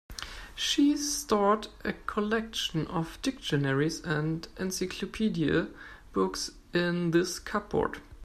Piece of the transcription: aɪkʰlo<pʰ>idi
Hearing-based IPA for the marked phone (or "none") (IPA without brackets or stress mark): pʰ